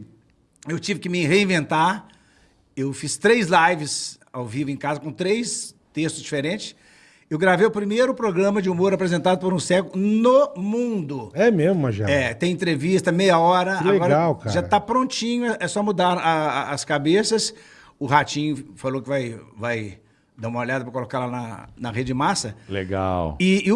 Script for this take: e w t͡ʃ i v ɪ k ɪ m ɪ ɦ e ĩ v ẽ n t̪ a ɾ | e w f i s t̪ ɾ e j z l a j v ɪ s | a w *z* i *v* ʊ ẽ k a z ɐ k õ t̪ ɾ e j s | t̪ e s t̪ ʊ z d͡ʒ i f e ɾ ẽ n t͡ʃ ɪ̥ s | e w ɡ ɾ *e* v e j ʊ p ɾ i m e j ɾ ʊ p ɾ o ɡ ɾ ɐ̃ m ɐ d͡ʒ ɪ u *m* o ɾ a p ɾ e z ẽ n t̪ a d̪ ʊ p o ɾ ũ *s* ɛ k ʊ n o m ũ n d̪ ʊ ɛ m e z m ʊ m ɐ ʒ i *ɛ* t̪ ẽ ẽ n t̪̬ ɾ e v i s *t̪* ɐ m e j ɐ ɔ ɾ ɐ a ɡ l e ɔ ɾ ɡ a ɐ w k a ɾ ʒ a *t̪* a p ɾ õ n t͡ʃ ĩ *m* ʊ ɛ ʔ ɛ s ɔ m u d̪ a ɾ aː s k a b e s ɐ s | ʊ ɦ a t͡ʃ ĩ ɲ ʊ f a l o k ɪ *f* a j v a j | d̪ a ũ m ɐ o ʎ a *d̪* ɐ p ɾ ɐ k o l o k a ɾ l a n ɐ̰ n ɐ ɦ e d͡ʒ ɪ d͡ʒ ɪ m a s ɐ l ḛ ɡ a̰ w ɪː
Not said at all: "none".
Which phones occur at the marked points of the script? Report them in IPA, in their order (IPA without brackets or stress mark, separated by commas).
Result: v, v, a, m, s, ɛ, t̪, t̪, ɲ, v, d̪